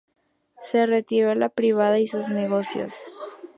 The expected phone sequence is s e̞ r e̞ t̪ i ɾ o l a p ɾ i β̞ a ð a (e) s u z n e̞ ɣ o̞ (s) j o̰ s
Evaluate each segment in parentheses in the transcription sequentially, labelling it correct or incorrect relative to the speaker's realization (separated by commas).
incorrect, correct